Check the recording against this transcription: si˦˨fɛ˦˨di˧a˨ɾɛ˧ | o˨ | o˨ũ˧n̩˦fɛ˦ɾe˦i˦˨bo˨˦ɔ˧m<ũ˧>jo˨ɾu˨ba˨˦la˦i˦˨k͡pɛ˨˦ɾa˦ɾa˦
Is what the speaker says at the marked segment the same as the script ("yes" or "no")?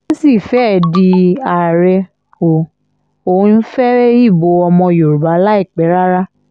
no